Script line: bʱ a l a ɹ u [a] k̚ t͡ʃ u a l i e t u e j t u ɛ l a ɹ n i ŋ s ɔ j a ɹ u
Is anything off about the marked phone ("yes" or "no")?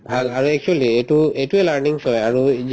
yes